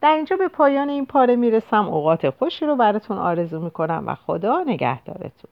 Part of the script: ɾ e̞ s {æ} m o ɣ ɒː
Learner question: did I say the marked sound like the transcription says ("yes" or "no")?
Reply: yes